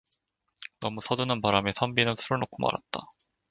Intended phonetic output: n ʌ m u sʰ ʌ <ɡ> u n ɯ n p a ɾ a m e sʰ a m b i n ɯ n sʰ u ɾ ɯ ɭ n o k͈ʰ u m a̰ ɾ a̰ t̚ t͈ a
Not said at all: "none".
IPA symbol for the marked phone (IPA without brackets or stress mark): d